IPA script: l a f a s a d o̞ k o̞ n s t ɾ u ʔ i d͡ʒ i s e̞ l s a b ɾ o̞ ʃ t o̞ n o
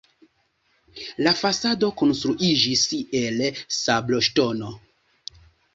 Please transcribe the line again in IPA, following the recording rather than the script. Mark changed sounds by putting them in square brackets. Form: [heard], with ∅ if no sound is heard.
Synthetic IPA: l a f a s a d o̞ k o̞ n s t ɾ u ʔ i d͡ʒ i s e̞ l s a b [l] o̞ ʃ t o̞ n o